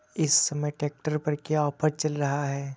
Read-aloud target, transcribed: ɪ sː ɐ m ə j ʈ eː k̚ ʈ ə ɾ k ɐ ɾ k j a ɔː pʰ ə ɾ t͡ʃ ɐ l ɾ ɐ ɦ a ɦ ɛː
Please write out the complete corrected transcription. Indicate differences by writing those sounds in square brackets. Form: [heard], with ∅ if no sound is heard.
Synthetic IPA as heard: ɪ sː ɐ m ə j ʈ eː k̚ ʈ ə ɾ [p] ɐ ɾ k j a ɔː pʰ ə ɾ t͡ʃ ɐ l ɾ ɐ ɦ a ɦ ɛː